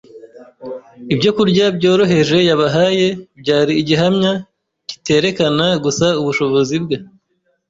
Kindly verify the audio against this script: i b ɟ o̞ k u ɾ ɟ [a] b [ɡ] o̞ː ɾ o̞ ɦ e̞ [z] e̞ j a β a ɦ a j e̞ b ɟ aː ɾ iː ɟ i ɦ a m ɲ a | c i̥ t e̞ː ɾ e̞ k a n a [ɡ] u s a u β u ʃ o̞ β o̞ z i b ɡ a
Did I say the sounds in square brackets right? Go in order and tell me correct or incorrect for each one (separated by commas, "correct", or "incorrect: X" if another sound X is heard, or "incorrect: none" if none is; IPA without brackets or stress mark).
correct, incorrect: ɟ, incorrect: ʒ, correct